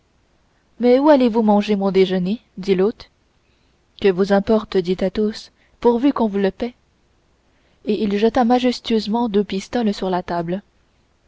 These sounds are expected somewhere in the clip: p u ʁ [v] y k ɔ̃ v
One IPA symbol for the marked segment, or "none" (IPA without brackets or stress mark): v